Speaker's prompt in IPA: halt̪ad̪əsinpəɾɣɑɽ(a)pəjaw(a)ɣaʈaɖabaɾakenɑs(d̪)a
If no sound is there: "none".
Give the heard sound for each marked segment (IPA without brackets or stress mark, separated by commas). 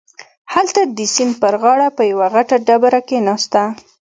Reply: a, a, t̪